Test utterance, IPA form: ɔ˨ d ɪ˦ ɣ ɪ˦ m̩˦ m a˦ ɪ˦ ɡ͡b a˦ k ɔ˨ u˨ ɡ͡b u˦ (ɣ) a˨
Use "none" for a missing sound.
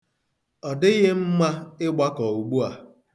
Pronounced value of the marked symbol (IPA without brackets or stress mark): none